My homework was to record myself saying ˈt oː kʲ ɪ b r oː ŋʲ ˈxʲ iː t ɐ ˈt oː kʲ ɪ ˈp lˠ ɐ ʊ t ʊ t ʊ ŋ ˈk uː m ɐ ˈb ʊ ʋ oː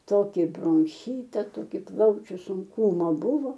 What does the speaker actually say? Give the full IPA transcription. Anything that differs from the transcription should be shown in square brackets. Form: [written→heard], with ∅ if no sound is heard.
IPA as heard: ˈt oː kʲ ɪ b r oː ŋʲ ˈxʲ iː t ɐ ˈt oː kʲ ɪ ˈp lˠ ɐ ʊ [t→t͡ʃʲ] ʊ [t→s] ʊ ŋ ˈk uː m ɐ ˈb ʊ ʋ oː